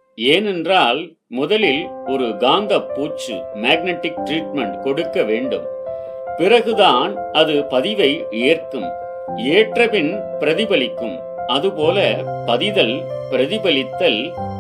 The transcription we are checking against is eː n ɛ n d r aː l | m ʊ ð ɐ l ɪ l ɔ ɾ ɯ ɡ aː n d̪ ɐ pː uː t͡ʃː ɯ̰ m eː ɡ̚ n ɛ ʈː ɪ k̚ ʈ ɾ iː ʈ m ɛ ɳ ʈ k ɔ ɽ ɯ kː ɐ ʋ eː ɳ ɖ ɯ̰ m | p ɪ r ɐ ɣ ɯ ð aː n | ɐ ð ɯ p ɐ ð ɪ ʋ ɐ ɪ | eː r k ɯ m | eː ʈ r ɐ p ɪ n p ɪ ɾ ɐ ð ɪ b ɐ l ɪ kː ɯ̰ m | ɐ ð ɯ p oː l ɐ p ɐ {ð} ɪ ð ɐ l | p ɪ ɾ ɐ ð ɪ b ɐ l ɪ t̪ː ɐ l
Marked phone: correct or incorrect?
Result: correct